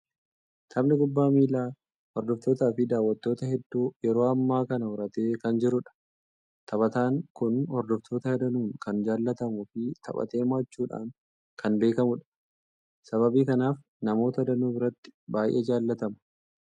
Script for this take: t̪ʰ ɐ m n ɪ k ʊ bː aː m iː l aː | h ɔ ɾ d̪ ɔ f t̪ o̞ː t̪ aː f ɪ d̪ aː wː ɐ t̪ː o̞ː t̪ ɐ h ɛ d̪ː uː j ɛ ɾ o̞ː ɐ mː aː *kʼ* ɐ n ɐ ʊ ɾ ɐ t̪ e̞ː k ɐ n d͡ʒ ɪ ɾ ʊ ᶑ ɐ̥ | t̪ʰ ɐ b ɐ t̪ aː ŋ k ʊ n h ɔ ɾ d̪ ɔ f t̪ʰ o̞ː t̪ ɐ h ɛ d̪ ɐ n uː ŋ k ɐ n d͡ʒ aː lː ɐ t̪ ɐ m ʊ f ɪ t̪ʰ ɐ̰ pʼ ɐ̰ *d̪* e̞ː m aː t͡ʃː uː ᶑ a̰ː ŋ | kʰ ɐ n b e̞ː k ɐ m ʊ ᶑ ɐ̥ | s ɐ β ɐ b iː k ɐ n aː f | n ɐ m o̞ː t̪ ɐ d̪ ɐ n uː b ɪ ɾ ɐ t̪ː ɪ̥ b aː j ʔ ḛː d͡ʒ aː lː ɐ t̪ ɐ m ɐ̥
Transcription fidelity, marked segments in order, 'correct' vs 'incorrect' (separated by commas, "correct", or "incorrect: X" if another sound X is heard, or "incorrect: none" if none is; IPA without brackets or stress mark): incorrect: k, incorrect: t̪